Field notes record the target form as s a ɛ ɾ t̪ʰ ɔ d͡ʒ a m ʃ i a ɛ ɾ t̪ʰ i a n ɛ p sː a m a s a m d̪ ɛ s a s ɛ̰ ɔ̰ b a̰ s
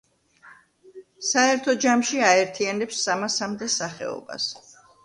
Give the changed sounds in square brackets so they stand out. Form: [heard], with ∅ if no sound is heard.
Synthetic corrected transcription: s a ɛ ɾ t̪ʰ ɔ d͡ʒ a m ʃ i a ɛ ɾ t̪ʰ i a n ɛ p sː a m a s a m d̪ ɛ s a [χ] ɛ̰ ɔ̰ b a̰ s

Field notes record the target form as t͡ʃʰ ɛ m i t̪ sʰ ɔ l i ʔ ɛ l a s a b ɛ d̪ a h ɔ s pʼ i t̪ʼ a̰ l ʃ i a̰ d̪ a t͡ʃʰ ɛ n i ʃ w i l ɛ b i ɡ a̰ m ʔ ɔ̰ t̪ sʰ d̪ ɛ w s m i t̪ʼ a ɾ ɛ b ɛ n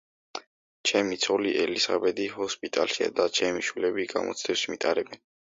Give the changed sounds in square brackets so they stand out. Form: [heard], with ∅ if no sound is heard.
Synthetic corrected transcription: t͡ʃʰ ɛ m i t̪ sʰ ɔ l i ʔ ɛ l [i] s a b ɛ d̪ [i] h ɔ s pʼ i t̪ʼ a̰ l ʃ i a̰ d̪ a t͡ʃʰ ɛ [m] i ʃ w i l ɛ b i ɡ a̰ m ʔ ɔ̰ t̪ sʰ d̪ ɛ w s m i t̪ʼ a ɾ ɛ b ɛ n

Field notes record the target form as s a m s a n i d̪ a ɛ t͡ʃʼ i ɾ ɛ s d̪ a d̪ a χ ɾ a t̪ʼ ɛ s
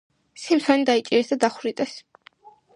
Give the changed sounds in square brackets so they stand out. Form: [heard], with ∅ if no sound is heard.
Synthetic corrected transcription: s [i] m s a n i d̪ a [i] t͡ʃʼ i ɾ ɛ s d̪ a d̪ a χ ɾ [i] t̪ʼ ɛ s

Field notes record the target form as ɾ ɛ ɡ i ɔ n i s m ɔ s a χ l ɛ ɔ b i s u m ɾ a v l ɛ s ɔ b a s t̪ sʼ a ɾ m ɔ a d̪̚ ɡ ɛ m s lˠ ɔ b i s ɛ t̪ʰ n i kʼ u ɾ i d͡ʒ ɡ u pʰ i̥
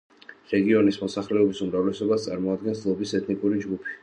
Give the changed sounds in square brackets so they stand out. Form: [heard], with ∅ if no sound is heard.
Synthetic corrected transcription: ɾ ɛ ɡ i ɔ n i s m ɔ s a χ l ɛ ɔ b i s u m ɾ a v l ɛ s ɔ b a s t̪ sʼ a ɾ m ɔ a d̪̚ ɡ ɛ [n] s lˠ ɔ b i s ɛ t̪ʰ n i kʼ u ɾ i d͡ʒ ɡ u pʰ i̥

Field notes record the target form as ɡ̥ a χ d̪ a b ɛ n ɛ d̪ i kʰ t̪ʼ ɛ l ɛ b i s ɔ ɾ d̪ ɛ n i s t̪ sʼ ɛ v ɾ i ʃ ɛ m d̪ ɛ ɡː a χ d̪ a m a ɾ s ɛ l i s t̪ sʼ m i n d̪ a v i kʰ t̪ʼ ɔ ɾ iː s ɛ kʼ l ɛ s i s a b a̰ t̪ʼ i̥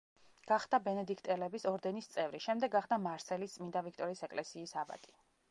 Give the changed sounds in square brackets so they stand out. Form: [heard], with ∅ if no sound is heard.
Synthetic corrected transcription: ɡ̥ a χ d̪ a b ɛ n ɛ d̪ i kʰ t̪ʼ ɛ l ɛ b i s ɔ ɾ d̪ ɛ n i s t̪ sʼ ɛ v ɾ i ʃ ɛ m d̪ ɛ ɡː a χ d̪ a m a ɾ s ɛ l i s t̪ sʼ m i n d̪ a v i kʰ t̪ʼ ɔ ɾ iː s ɛ kʼ l ɛ s [iː] s a b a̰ t̪ʼ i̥

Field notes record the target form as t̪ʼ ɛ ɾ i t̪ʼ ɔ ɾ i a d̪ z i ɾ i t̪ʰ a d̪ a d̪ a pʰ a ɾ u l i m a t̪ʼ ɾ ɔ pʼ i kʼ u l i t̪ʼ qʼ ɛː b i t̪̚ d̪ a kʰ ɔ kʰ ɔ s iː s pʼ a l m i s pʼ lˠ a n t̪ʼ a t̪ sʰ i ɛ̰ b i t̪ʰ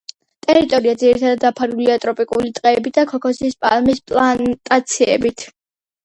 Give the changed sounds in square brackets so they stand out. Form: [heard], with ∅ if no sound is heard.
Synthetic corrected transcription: t̪ʼ ɛ ɾ i t̪ʼ ɔ ɾ i a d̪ z i ɾ i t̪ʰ a d̪ a d̪ a pʰ a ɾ u l i [∅] a t̪ʼ ɾ ɔ pʼ i kʼ u l i t̪ʼ qʼ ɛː b i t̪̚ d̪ a kʰ ɔ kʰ ɔ s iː s pʼ a l m i s pʼ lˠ a n t̪ʼ a t̪ sʰ i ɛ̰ b i t̪ʰ

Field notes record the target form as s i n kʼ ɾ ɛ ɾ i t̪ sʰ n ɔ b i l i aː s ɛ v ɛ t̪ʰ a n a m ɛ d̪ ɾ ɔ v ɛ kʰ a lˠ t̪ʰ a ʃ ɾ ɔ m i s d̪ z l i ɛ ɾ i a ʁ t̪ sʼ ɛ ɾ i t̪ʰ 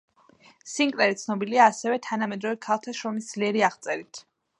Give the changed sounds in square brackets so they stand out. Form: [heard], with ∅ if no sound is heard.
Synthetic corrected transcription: s i [ŋ] kʼ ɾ ɛ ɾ i t̪ sʰ n ɔ b i l i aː s ɛ v ɛ t̪ʰ a n a m ɛ d̪ ɾ ɔ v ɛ kʰ a lˠ t̪ʰ a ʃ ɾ ɔ m i s d̪ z l i ɛ ɾ i a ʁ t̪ sʼ ɛ ɾ i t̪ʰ

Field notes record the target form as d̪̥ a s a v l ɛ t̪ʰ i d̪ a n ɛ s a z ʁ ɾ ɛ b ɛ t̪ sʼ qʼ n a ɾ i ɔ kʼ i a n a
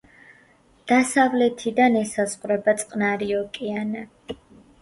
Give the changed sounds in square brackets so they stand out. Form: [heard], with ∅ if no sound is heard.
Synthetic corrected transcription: d̪̥ a s a v l ɛ t̪ʰ i d̪ a n ɛ s a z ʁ ɾ ɛ b [a] t̪ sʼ qʼ n a ɾ i ɔ kʼ i a n a

